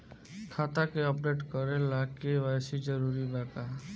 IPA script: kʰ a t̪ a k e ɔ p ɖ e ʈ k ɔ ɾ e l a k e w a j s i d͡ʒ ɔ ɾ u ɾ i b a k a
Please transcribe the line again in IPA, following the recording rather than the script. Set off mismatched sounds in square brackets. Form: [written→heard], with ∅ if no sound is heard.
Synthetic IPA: kʰ a t̪ a k e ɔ p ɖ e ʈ k ɔ ɾ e l a k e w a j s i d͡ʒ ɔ ɾ u ɾ i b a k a